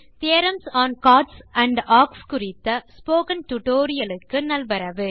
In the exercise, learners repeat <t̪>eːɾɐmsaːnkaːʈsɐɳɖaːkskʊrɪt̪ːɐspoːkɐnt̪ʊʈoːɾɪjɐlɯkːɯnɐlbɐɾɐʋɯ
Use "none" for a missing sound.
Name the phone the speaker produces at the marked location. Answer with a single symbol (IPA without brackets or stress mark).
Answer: t̪